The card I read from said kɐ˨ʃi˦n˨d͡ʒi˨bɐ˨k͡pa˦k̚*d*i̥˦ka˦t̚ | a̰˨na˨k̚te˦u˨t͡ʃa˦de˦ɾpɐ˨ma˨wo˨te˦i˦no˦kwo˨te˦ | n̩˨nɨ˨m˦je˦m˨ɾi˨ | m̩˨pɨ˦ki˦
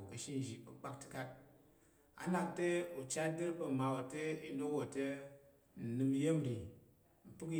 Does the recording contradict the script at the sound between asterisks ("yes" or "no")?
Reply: yes